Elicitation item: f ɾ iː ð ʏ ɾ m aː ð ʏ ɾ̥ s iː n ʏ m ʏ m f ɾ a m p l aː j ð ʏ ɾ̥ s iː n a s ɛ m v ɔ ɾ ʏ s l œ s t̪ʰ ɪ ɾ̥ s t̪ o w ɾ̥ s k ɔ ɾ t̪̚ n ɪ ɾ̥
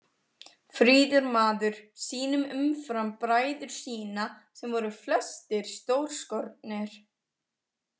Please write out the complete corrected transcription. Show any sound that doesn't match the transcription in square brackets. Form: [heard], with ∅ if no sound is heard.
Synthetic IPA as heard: f ɾ iː ð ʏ ɾ m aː ð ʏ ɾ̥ s iː n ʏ m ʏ m f ɾ a m p [ɾ] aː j ð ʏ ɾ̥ s iː n a s ɛ m v ɔ ɾ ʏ [f] l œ s [t̪] ɪ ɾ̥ s t̪ o w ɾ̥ s k ɔ ɾ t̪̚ n ɪ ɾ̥